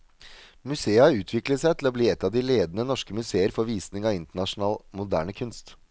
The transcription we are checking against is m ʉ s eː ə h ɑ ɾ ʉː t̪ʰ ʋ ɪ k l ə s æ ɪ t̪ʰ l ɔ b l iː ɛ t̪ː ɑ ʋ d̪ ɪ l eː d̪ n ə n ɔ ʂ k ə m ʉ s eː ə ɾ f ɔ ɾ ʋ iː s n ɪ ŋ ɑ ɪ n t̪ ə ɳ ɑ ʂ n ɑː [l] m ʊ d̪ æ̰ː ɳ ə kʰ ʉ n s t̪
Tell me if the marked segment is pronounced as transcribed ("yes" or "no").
yes